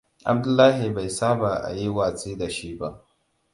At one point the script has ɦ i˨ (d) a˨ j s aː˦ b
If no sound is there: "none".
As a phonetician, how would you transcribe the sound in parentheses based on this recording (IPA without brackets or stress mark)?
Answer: b